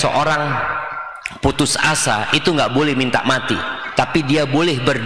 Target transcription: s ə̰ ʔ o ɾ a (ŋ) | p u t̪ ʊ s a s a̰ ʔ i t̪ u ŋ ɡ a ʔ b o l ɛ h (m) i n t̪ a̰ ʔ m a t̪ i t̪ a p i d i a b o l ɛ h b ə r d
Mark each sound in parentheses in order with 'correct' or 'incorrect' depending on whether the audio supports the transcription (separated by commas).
correct, correct